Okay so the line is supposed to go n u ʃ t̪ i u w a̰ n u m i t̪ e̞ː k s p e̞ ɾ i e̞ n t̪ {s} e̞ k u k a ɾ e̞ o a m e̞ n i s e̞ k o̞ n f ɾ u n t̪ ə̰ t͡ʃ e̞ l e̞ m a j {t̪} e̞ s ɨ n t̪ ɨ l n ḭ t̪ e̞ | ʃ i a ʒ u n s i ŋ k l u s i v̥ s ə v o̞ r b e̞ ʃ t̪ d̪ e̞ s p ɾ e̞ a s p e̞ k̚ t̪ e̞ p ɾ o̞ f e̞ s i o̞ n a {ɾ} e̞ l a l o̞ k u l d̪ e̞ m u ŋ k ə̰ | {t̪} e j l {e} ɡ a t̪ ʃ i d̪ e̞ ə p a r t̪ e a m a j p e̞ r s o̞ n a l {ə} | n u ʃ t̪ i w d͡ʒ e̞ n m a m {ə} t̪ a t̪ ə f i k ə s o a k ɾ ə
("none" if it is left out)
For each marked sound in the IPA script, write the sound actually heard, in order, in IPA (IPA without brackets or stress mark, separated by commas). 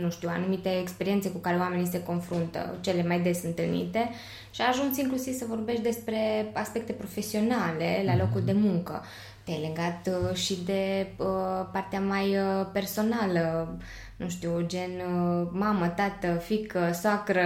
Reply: s, d̪, l, t̪, e, ə, ə